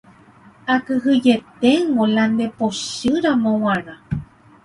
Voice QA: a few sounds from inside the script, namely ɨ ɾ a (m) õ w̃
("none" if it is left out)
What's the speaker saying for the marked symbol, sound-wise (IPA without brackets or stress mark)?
m